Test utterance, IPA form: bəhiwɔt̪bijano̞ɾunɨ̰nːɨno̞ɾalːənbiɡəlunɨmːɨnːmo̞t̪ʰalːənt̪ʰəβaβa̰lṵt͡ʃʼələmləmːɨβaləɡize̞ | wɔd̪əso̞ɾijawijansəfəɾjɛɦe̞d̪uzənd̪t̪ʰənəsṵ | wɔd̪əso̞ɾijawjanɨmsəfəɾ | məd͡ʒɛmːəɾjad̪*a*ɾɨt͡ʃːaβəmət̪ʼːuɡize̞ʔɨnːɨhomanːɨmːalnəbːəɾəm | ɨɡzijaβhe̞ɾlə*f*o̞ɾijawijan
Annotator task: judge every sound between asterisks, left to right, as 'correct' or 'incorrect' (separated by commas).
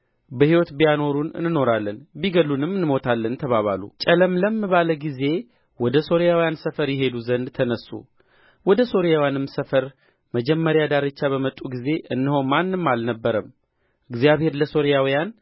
correct, incorrect